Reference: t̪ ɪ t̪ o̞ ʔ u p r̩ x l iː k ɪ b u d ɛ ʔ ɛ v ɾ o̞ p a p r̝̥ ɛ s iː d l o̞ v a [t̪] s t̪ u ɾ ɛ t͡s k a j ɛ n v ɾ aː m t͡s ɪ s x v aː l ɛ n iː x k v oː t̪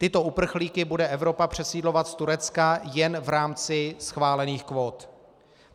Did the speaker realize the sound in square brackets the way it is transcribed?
yes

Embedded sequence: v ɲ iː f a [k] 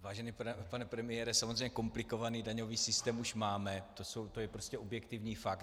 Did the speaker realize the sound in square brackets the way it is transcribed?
yes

